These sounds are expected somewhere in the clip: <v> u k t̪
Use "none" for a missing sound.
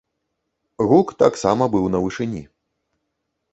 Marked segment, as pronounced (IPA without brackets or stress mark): ɣ